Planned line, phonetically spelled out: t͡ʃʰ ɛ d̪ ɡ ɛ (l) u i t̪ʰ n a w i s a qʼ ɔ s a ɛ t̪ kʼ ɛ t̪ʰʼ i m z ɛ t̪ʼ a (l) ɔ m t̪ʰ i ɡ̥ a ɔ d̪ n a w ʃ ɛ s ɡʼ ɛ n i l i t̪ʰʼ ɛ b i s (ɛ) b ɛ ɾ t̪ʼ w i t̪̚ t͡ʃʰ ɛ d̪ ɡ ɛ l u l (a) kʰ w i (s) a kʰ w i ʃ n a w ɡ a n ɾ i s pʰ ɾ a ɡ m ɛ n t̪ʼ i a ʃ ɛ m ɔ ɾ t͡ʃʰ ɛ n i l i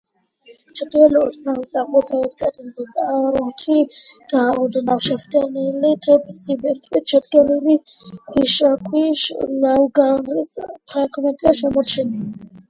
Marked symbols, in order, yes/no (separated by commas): yes, no, no, no, no